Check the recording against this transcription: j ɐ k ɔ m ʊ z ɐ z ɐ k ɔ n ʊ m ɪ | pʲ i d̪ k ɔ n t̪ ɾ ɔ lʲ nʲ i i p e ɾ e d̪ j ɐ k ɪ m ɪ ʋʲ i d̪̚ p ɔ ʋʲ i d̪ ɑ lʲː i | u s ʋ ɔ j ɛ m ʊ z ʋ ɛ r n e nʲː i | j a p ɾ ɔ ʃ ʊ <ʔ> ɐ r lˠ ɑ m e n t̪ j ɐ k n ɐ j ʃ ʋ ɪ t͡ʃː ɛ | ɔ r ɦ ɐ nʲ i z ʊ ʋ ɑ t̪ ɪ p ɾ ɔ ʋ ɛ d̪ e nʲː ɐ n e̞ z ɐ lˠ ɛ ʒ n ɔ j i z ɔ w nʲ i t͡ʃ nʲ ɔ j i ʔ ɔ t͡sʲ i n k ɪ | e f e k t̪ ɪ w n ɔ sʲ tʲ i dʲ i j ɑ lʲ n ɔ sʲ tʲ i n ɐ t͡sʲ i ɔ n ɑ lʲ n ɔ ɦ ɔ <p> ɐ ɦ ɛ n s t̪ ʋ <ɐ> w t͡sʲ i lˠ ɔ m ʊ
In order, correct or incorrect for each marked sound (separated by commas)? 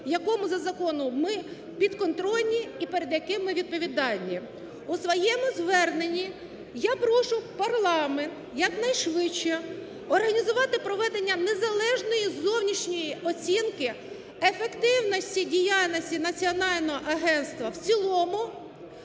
incorrect, incorrect, correct